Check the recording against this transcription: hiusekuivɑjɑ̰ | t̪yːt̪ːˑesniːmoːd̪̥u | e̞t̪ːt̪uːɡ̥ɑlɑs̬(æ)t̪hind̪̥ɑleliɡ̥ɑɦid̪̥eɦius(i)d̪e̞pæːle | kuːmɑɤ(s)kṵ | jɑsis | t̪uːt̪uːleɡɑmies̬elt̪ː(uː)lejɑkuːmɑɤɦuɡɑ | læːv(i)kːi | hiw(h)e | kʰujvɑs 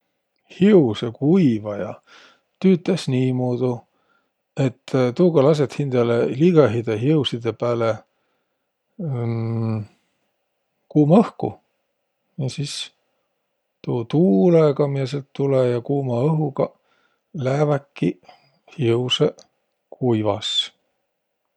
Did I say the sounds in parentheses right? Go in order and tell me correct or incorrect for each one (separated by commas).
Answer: incorrect, correct, incorrect, incorrect, incorrect, incorrect